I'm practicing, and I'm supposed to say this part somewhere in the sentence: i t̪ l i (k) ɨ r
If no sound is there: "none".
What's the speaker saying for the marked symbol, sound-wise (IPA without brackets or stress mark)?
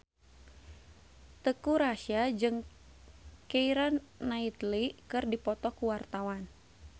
k